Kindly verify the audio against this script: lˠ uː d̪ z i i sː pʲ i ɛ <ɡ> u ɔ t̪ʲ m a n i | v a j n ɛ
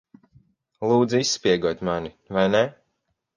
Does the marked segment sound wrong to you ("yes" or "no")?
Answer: no